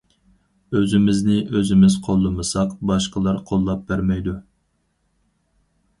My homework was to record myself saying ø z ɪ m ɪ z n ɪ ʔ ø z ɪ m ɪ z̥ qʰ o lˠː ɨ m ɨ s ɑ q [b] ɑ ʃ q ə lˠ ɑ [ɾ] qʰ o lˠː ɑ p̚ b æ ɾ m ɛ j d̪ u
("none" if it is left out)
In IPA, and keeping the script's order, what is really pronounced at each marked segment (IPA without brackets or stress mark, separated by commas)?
b, ɾ